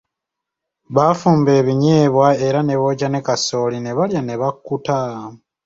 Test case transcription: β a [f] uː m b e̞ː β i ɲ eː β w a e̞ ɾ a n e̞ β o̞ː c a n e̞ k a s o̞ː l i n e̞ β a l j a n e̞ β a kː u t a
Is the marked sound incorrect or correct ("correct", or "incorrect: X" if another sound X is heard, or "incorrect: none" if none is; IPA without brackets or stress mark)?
correct